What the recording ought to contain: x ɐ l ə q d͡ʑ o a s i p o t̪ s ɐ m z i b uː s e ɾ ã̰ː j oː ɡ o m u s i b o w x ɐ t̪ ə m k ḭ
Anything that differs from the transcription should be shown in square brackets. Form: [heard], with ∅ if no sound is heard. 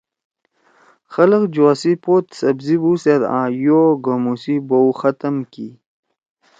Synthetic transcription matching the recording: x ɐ l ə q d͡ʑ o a s i p o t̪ s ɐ [b] z i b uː s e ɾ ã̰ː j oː ɡ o m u s i b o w x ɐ t̪ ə m k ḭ